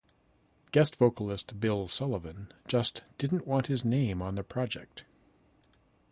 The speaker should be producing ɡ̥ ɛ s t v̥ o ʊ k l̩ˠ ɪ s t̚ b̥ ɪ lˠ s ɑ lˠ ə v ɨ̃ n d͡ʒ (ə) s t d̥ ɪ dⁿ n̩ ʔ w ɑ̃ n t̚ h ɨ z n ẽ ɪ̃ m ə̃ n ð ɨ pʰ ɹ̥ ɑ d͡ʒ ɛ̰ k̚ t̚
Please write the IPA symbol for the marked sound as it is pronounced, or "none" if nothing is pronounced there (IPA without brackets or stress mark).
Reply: ʌ